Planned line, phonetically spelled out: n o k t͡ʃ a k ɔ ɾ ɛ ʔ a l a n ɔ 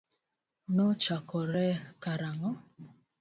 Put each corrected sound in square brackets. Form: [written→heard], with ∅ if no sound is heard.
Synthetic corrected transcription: n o [k→∅] t͡ʃ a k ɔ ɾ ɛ [ʔ→k] a [l→ɾ] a [n→ŋ] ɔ